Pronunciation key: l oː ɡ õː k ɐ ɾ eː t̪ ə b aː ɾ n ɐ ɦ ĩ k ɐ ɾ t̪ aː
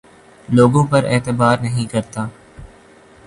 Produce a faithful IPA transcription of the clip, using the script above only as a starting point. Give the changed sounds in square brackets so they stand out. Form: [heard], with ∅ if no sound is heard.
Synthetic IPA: l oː ɡ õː [p] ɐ ɾ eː t̪ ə b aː ɾ n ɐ ɦ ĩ k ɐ ɾ t̪ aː